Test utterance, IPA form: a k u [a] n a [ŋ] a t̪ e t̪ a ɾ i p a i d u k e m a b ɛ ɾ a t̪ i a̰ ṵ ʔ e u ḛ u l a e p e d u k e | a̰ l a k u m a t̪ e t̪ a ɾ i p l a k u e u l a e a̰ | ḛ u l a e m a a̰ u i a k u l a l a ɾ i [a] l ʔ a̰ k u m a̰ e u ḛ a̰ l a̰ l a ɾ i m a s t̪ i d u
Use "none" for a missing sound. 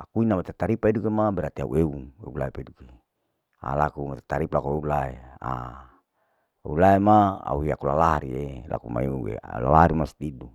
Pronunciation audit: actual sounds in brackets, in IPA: i, m, e

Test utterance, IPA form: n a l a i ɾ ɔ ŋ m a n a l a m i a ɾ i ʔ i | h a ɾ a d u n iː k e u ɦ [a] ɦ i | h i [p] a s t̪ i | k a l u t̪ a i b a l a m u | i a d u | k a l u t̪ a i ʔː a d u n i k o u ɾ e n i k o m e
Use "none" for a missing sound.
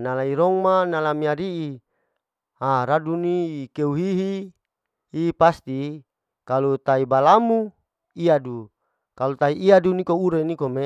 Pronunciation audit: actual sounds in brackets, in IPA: i, p

